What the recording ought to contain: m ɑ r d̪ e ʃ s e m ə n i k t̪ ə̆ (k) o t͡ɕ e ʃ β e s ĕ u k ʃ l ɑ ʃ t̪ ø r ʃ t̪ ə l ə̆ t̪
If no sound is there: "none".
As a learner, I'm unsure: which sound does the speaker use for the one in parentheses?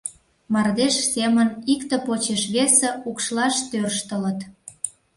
p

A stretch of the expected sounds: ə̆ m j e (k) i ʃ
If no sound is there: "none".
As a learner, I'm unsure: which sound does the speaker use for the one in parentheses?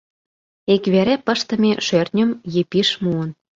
p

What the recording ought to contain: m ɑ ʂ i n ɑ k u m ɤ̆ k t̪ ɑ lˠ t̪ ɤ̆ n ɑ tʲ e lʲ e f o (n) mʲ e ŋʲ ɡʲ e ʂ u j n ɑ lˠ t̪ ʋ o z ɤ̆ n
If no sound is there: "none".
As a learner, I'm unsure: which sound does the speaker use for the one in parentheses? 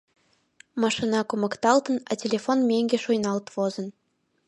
n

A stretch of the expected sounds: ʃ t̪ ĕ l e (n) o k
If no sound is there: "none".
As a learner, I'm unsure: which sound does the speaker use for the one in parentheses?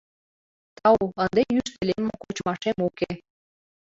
m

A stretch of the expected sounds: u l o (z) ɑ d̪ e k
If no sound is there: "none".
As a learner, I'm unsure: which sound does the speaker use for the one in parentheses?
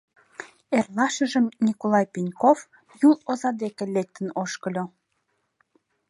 z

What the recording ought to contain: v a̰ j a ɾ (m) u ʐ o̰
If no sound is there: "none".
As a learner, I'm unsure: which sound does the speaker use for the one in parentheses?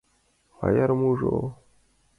m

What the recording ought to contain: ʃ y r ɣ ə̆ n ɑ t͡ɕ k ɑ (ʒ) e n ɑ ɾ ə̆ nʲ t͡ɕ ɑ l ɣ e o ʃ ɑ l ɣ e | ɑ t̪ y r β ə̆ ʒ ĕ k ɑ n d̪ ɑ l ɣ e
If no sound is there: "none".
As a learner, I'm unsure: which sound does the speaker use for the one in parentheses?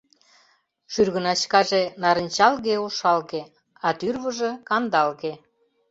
ʒ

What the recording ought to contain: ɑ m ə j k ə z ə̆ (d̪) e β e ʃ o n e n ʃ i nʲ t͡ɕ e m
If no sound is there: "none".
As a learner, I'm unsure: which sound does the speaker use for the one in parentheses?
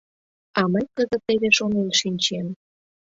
t̪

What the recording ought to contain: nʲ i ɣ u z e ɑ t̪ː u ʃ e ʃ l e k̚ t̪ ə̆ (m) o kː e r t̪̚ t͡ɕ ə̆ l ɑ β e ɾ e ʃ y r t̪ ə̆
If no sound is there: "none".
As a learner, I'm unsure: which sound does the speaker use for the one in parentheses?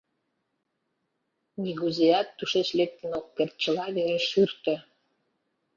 n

